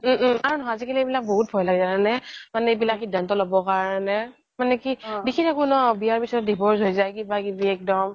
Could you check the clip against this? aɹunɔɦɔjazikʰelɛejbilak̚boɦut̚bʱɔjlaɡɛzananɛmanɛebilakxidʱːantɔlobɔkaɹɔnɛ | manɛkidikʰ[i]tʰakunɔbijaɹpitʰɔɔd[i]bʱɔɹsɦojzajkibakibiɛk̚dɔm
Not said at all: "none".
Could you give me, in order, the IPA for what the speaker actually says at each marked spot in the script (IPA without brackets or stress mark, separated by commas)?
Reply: i, i